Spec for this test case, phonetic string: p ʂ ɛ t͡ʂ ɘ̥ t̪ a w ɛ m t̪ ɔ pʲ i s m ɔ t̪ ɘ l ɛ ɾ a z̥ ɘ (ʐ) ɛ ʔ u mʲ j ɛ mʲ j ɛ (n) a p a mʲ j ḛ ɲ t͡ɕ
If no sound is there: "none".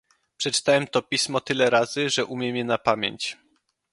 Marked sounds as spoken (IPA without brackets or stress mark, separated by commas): ʐ, n